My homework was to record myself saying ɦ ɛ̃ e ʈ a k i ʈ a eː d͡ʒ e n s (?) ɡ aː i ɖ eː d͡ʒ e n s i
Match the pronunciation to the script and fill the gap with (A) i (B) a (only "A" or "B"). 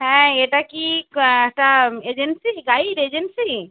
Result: A